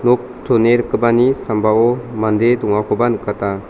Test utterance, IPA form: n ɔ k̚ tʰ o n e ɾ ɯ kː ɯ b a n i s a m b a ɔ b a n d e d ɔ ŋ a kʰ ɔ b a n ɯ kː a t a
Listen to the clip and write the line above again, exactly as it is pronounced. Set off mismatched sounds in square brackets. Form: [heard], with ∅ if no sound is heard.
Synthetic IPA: n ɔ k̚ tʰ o n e ɾ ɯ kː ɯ b a n i s a m b a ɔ [m] a n d e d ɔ ŋ a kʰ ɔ b a n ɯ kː a t a